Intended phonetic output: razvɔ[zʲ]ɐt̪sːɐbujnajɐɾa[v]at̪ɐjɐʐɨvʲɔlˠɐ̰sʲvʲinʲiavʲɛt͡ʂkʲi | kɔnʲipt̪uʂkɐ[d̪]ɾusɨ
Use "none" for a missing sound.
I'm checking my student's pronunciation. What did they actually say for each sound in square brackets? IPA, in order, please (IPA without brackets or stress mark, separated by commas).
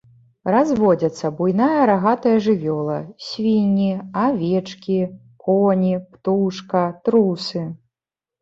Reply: d͡zʲ, ɣ, t̪